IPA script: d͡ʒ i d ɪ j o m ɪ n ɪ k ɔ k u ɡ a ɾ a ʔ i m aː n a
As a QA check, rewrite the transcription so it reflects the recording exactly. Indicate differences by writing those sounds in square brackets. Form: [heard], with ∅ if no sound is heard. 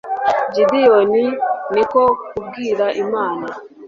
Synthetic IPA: d͡ʒ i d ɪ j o [n] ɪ n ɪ k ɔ k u ɡ [i] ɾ a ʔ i m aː n a